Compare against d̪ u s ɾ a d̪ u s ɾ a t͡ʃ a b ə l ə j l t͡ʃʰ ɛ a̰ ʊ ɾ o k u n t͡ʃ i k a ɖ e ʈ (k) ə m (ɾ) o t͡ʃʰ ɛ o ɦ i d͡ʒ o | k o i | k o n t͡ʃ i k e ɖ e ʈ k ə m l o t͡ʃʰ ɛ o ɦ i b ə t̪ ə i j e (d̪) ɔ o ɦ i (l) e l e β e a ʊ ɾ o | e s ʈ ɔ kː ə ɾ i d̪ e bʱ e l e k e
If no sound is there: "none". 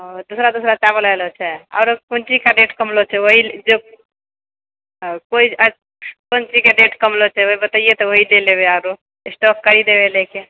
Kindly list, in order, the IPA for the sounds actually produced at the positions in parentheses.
k, l, t̪, l

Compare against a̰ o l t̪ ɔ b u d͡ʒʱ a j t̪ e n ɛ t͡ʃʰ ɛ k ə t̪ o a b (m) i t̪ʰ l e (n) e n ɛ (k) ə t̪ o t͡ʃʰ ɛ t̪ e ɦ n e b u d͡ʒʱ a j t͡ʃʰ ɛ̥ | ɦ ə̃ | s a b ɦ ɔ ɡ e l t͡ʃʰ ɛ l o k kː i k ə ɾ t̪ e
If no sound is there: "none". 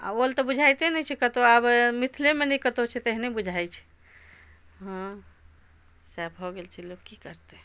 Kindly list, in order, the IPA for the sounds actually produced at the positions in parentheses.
m, m, k

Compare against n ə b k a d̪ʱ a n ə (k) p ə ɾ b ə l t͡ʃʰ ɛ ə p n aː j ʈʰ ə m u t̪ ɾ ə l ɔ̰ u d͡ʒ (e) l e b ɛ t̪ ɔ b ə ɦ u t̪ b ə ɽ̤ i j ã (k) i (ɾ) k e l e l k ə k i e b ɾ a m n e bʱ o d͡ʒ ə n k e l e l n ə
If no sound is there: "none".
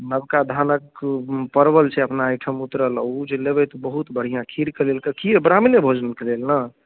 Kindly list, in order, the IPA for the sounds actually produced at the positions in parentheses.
k, e, kʰ, ɾ

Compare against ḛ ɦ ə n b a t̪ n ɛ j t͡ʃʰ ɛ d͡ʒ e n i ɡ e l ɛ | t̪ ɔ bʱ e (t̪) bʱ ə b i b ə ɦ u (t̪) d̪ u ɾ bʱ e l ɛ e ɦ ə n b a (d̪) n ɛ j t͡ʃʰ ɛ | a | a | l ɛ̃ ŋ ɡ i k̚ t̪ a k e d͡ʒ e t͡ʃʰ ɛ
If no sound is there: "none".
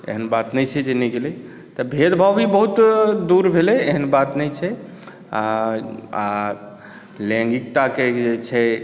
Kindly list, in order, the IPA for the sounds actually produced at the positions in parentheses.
d̪, t̪, t̪

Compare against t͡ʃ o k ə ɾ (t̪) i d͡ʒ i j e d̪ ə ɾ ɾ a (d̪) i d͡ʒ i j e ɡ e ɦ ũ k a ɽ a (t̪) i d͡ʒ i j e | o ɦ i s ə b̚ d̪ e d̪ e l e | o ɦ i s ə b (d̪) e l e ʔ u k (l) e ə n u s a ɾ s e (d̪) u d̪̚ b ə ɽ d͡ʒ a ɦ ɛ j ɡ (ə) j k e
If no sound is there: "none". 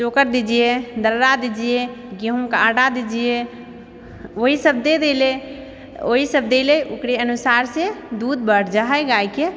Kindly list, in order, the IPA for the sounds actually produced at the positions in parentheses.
d̪, d̪, d̪, d̪, ɾ, d̪, a

